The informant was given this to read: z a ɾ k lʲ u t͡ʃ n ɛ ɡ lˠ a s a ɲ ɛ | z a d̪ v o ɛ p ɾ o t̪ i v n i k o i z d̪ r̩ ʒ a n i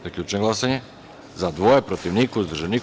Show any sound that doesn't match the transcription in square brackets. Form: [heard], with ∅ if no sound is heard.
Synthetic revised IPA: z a [∅] k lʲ u t͡ʃ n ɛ ɡ lˠ a s a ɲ ɛ | z a d̪ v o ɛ p ɾ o t̪ i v n i k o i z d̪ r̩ ʒ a n i